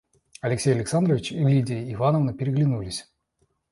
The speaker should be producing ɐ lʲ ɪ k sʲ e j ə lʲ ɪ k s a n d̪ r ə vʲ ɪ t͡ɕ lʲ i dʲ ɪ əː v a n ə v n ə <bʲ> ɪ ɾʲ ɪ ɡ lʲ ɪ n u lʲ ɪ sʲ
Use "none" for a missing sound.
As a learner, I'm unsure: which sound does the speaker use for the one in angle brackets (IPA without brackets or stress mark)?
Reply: pʲ